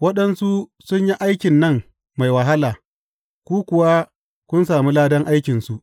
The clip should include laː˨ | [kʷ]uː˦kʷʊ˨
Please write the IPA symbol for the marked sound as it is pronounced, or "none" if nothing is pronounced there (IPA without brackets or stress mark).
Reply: kʷ